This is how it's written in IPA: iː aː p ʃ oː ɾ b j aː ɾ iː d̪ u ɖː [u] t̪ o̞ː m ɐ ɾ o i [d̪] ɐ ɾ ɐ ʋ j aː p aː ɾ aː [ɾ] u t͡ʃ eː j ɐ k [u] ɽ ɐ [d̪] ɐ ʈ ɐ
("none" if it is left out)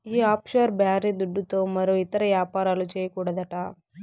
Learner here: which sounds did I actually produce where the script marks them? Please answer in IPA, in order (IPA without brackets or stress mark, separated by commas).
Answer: u, t̪, l, uː, d̪